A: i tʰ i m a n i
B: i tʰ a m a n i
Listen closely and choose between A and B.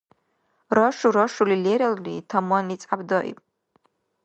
B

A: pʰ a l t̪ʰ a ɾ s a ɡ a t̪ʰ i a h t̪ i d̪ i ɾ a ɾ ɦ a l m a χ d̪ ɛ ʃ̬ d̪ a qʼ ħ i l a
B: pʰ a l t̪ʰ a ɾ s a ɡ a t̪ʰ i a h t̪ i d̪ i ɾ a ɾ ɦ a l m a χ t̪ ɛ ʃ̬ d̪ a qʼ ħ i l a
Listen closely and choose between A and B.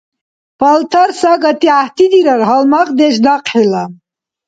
A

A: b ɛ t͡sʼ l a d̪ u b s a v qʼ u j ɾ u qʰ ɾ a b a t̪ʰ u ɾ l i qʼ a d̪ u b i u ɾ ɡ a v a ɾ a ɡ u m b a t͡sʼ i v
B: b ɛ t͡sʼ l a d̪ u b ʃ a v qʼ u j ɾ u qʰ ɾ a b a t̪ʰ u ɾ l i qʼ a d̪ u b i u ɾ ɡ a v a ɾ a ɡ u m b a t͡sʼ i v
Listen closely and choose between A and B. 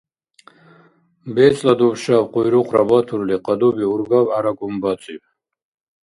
B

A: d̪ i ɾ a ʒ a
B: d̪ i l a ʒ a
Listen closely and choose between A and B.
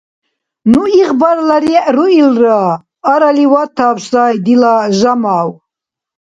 B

